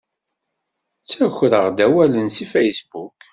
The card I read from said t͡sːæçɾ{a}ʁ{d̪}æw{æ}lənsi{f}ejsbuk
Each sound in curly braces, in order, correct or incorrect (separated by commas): incorrect, correct, correct, correct